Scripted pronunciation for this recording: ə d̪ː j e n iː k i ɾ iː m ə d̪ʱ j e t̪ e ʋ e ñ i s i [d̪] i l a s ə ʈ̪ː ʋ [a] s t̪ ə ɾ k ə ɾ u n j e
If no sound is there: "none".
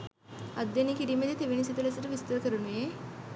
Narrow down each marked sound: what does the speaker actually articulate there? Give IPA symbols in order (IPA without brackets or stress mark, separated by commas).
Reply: t̪, i